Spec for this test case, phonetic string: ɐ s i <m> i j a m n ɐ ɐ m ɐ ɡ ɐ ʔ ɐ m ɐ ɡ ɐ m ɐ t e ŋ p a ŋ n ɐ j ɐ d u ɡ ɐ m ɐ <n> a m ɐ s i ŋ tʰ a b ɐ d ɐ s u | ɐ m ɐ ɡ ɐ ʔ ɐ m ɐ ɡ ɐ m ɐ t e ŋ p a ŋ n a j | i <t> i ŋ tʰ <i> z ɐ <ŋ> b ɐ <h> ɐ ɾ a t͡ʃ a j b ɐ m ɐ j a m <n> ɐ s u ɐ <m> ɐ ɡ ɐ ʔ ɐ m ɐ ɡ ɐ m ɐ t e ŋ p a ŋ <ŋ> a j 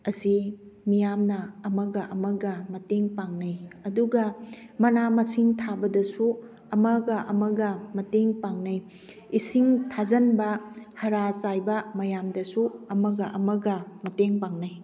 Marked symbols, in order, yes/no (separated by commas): yes, yes, no, no, no, yes, no, yes, no